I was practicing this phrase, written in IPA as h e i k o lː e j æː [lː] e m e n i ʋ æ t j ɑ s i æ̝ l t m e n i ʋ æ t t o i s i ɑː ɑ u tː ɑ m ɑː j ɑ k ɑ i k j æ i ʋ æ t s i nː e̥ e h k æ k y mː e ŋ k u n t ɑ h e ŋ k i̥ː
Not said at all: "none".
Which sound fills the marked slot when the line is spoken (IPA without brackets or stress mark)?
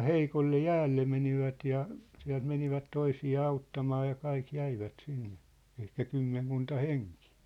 lː